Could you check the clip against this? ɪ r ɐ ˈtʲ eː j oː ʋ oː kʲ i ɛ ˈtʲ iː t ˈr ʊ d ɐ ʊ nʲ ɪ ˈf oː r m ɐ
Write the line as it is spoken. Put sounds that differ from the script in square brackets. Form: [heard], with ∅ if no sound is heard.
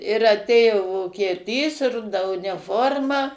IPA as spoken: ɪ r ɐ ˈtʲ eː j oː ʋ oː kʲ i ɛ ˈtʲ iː [s] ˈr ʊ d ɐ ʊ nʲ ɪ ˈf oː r m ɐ